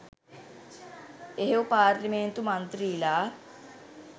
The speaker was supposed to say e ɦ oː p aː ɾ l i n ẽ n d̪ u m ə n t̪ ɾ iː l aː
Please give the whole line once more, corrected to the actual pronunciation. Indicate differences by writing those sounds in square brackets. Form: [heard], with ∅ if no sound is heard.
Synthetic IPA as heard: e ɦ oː p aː ɾ l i [m] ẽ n [t̪] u m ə n t̪ ɾ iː l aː